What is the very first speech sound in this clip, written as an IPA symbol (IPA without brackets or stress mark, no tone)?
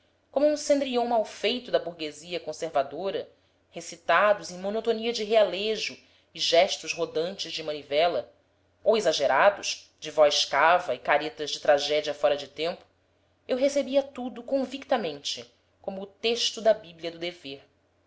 k